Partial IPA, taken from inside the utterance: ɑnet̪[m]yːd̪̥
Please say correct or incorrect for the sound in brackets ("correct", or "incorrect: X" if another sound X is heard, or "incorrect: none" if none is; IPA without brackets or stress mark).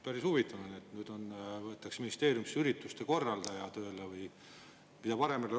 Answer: incorrect: n